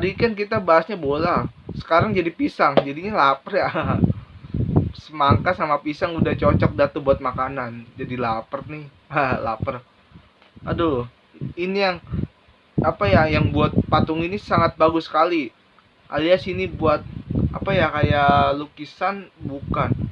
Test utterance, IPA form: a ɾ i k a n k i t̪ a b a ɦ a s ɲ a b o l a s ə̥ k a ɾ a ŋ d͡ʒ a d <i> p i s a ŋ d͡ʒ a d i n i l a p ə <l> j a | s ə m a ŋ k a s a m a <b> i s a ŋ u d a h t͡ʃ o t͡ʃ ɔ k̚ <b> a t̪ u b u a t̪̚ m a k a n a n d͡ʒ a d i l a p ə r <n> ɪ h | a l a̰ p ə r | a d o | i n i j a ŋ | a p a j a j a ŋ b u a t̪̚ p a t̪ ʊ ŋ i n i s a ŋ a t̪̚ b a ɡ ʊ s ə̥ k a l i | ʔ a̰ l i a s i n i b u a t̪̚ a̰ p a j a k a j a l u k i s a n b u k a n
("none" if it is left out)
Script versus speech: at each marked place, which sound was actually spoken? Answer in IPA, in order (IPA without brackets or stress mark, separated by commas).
i, r, p, d, n